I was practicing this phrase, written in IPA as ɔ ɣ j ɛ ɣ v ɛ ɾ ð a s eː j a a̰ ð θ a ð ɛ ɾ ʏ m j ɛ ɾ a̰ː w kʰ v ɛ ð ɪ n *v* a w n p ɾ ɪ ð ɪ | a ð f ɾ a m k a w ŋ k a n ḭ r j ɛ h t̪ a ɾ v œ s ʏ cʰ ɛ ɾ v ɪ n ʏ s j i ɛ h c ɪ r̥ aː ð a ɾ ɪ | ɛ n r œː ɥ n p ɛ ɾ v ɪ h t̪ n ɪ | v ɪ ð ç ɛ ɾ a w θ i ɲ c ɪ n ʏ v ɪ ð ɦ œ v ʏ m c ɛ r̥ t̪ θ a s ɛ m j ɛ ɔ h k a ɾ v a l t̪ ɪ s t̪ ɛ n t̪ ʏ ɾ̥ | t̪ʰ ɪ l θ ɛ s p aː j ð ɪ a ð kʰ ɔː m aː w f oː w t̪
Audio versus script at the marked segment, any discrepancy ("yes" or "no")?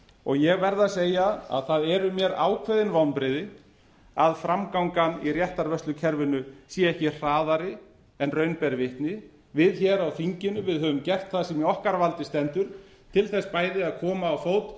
no